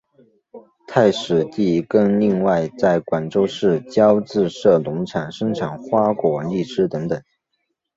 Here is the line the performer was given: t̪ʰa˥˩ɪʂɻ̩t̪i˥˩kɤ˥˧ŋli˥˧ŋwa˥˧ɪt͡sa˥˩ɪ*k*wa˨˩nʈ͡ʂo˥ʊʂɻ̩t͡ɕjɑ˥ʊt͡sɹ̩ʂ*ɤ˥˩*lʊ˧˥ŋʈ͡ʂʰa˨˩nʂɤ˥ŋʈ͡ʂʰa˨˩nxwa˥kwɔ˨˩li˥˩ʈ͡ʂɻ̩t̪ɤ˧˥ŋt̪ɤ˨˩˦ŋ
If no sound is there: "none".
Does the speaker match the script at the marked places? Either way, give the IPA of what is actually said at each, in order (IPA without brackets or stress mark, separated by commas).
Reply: k, ɤ˥˩